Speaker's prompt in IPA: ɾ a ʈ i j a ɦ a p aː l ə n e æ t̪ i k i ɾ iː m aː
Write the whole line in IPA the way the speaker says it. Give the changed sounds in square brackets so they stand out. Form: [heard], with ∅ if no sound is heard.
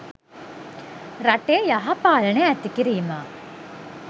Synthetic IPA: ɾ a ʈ [e] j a ɦ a p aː l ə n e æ t̪ i k i ɾ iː m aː